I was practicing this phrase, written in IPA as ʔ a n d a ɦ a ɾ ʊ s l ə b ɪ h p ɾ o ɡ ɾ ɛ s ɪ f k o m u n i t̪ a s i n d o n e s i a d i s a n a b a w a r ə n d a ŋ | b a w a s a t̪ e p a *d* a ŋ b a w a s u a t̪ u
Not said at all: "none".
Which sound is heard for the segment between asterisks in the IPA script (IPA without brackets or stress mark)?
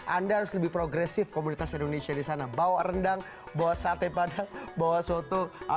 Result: d